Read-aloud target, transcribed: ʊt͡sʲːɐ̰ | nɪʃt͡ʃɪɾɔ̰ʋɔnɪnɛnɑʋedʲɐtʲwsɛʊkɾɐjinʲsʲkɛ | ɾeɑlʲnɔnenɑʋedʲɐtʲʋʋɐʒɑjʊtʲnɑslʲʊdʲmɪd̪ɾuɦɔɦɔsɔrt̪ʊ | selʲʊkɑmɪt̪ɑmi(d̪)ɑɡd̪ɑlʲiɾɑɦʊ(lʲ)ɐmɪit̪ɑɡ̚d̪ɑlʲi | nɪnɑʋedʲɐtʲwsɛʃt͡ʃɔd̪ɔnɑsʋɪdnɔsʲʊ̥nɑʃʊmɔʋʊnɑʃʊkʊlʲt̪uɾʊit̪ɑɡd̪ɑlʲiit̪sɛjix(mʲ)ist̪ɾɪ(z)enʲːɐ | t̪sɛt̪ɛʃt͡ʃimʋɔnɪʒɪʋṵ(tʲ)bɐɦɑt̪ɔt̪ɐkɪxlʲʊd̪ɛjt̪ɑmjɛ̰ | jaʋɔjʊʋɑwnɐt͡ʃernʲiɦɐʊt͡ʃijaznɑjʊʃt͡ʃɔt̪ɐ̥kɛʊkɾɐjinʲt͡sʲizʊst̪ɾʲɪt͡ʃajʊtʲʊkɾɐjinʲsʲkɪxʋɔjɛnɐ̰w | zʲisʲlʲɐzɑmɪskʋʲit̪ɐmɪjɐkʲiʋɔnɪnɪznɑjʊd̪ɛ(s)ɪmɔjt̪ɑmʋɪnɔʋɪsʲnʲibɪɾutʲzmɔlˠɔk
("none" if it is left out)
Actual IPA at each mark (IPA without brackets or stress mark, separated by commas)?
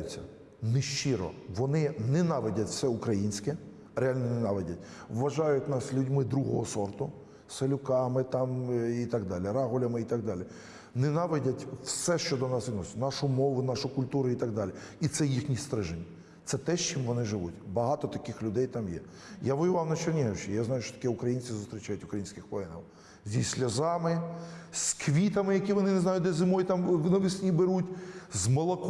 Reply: t̪, lʲ, nʲ, ʒ, tʲ, z